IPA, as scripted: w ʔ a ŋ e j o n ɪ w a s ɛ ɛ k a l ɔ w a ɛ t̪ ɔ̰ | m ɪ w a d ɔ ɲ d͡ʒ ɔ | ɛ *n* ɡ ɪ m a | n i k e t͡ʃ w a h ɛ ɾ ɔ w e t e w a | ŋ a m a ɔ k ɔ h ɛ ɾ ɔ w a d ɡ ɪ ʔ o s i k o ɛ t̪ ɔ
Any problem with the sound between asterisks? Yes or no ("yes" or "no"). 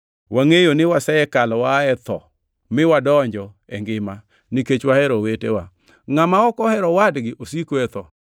yes